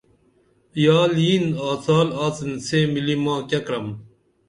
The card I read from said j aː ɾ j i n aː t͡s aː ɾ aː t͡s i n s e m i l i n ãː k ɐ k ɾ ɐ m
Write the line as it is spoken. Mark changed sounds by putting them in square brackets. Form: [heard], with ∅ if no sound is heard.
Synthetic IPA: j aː [l] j i n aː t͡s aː [l] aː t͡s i n s e m i l i [m] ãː k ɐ k ɾ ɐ m